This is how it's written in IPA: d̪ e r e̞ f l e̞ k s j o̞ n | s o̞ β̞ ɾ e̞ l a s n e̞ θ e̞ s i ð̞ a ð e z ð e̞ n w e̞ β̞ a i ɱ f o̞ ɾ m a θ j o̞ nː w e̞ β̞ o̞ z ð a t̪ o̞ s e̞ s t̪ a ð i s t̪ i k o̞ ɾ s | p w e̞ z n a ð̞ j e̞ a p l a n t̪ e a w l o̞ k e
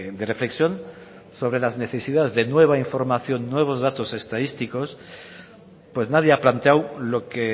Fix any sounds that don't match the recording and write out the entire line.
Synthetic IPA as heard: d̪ e r e̞ f l e̞ k s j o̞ n | s o̞ β̞ ɾ e̞ l a z n e̞ θ e̞ s i ð̞ a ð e z ð e̞ n w e̞ β̞ a i ɱ f o̞ ɾ m a θ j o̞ nː w e̞ β̞ o̞ z ð a t̪ o̞ s e̞ s t̪ a ð i s t̪ i k o̞ s | p w e̞ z n a ð̞ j e̞ a p l a n t̪ e a w l o̞ k e